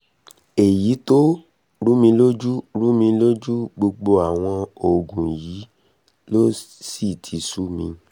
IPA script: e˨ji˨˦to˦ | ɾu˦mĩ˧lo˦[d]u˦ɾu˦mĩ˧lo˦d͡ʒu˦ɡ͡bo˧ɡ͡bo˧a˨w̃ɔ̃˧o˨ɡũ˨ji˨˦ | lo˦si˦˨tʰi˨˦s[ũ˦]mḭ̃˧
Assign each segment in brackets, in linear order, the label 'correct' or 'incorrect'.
incorrect: d͡ʒ, incorrect: u˦

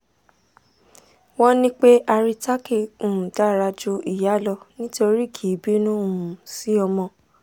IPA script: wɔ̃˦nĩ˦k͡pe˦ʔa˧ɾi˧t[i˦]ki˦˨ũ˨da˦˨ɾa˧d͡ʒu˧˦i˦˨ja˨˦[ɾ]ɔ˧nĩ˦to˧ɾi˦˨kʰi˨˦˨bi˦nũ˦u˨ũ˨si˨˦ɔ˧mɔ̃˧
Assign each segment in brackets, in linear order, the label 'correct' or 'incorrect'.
incorrect: a˦, incorrect: l

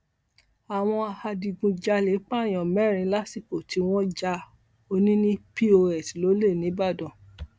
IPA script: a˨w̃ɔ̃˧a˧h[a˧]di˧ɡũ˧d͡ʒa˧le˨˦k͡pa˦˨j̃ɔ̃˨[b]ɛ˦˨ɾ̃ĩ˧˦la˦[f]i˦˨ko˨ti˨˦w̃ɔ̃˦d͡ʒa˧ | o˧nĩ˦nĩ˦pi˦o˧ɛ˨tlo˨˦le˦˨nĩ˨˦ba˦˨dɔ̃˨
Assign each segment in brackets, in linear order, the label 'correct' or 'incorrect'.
correct, incorrect: m, incorrect: s

